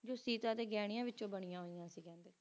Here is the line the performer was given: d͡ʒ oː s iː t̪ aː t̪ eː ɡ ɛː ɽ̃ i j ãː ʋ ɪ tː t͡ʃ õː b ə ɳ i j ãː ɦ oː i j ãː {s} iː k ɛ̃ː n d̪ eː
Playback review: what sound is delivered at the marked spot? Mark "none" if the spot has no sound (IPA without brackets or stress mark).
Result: s